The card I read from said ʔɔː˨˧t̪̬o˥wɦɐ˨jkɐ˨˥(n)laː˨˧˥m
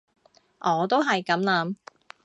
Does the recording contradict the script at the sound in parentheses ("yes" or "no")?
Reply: yes